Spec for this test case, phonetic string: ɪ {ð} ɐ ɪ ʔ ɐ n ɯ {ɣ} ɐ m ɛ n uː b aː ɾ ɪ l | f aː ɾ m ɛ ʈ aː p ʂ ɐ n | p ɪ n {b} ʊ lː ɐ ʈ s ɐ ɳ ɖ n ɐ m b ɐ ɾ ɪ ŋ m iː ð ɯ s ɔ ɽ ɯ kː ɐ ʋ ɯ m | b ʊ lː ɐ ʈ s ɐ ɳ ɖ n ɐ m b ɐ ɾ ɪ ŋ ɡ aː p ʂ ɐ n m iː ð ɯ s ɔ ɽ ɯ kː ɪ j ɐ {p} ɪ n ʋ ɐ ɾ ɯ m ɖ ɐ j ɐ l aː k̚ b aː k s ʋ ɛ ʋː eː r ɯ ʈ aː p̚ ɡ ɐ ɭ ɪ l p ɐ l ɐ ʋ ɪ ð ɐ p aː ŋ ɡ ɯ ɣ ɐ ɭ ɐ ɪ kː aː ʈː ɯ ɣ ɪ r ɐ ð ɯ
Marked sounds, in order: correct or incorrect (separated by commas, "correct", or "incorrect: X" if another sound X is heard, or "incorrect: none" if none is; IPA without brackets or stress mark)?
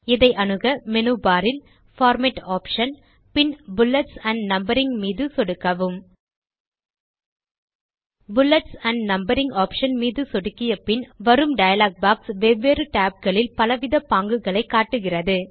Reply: correct, correct, correct, correct